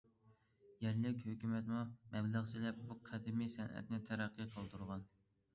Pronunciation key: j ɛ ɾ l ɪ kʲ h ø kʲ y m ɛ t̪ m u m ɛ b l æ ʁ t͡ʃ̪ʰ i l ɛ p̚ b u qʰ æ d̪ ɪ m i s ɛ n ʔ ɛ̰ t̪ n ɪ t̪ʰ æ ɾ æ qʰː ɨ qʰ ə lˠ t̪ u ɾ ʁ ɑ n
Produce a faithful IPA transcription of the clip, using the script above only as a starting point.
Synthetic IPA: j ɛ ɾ l ɪ kʲ h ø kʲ y m ɛ t̪ m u m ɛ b l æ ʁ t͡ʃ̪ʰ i l ɛ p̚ b u qʰ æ d̪ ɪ m i s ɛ n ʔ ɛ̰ t̪ n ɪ t̪ʰ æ ɾ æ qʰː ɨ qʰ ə lˠ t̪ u ɾ ʁ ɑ n